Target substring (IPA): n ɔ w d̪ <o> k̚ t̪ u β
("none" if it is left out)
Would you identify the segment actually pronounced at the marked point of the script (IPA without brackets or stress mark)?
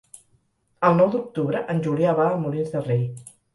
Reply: u